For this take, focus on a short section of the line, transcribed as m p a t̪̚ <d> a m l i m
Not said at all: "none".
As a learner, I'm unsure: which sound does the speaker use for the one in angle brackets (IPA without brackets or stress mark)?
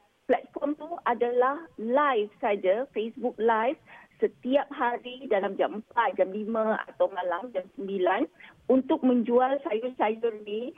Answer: d͡ʒ